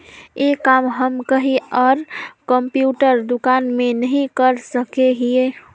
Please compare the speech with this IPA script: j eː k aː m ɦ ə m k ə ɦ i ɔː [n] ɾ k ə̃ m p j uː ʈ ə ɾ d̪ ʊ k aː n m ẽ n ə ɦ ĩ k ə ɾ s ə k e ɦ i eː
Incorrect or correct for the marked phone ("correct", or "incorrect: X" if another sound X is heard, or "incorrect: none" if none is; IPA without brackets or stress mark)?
incorrect: none